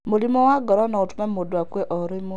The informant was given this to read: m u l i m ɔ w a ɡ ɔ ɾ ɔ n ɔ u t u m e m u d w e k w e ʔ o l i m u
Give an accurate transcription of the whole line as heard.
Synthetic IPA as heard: m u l i m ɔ w a ɡ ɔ ɾ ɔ n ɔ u t u m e m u d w a k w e ʔ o ɾ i m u